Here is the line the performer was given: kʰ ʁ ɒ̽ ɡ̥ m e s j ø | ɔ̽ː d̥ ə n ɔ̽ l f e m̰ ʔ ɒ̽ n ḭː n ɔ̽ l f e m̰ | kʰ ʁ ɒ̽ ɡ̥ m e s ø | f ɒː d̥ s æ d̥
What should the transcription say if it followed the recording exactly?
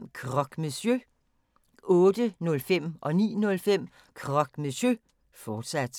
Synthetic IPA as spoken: kʰ ʁ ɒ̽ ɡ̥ m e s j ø | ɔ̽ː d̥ ə n ɔ̽ l f e m̰ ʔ ɒ̽ n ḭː n ɔ̽ l f e m̰ | kʰ ʁ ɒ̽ ɡ̥ m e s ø | f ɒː d̥ s æ d̥